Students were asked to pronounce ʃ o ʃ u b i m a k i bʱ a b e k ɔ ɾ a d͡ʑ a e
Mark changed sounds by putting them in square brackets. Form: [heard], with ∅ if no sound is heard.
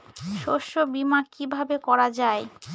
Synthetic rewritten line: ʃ o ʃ [o] b i m a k i bʱ a b e k ɔ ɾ a d͡ʑ a e